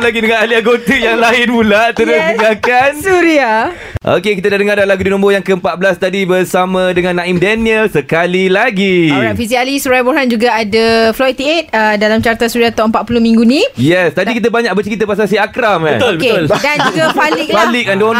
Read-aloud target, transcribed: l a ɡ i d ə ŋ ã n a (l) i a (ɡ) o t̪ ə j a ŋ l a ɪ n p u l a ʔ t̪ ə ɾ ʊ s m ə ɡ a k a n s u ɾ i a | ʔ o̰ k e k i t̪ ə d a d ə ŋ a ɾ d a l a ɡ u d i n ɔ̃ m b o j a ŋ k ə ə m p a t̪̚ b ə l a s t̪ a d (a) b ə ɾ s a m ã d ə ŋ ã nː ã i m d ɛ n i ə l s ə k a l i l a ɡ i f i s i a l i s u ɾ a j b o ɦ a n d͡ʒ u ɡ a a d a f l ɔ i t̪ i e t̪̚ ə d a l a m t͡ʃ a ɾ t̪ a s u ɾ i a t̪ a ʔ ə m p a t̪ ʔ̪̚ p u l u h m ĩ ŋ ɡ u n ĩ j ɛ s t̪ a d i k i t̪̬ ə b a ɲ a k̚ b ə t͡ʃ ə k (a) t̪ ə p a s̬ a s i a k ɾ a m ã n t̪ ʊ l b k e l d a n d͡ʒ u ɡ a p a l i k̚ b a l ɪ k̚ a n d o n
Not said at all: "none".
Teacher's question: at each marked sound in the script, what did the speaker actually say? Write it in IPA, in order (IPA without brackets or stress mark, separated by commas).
l, ɡ, i, i